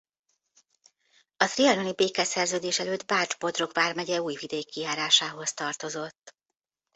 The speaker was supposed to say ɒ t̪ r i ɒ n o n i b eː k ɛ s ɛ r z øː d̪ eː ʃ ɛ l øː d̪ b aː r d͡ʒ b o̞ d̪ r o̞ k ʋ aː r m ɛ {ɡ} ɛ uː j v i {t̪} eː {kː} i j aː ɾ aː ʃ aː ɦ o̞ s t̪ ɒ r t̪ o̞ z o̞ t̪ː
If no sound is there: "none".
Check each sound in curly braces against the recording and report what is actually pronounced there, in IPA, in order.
ɟ, d̪, kː

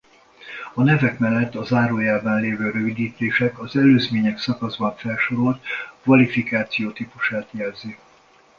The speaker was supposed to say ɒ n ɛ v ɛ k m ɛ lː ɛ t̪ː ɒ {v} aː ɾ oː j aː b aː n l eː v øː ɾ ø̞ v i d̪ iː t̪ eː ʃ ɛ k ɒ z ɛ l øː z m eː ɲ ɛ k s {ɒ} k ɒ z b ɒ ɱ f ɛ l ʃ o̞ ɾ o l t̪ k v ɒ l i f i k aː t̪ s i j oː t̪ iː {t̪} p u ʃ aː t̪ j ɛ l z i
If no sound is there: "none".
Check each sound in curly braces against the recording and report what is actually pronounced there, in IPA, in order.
z, ɒ, none

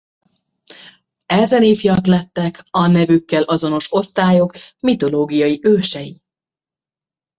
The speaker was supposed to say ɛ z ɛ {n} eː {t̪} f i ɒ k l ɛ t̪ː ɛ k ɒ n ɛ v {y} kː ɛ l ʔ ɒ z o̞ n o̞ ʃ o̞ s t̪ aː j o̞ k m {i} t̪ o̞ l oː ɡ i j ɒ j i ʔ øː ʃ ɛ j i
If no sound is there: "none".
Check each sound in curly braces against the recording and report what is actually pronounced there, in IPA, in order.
n, none, y, i

